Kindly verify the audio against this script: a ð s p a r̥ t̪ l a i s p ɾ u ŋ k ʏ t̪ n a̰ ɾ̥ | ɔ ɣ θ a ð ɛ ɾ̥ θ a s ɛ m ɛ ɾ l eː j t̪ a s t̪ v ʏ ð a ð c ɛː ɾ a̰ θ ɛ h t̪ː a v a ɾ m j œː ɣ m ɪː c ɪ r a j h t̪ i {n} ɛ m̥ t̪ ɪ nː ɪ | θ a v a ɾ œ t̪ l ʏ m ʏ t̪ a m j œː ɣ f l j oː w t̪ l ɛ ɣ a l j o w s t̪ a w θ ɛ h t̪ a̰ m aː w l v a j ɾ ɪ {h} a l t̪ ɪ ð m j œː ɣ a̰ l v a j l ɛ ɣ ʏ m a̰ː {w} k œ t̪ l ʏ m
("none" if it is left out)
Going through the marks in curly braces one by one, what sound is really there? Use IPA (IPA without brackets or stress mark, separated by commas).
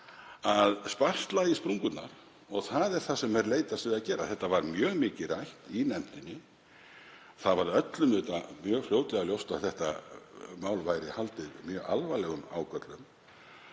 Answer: n, h, w